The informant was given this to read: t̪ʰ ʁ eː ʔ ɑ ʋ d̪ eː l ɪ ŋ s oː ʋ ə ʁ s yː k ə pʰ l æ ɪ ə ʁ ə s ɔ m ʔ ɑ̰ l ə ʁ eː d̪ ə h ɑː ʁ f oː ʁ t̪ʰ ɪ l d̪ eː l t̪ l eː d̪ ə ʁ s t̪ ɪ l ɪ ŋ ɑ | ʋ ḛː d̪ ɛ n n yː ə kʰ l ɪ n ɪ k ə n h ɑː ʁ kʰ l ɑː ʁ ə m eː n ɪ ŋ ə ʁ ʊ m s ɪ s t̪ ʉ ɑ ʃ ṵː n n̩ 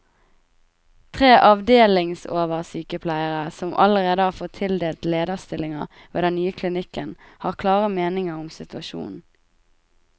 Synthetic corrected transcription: t̪ʰ ʁ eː ʔ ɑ ʋ d̪ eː l ɪ ŋ s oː ʋ ə ʁ s yː k ə pʰ l æ ɪ ə ʁ ə s ɔ m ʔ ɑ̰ l ə ʁ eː d̪ ə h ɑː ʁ f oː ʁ t̪ʰ ɪ l d̪ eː l t̪ l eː d̪ ə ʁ s t̪ ɪ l ɪ ŋ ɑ | ʋ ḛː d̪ ɛ n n yː ə kʰ l ɪ n ɪ k ə n h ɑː ʁ kʰ l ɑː ʁ ə m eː n ɪ ŋ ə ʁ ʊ m s ɪ t̪ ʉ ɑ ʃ ṵː n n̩